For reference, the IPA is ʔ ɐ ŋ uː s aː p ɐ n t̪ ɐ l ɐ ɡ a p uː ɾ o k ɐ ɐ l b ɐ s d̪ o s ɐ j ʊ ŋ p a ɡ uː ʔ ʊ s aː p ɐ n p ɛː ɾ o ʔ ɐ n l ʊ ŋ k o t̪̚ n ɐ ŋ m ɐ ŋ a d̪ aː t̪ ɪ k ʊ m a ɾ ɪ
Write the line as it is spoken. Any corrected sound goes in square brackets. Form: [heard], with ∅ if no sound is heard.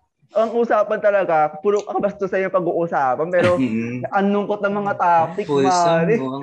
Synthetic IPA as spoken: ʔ ɐ ŋ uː s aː p ɐ n t̪ ɐ l ɐ ɡ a p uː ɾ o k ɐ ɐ [∅] b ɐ s [t̪] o s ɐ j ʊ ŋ p [ɐ] ɡ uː ʔ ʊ s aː p ɐ n p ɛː ɾ o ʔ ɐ n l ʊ ŋ k o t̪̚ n ɐ ŋ m ɐ ŋ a [t̪] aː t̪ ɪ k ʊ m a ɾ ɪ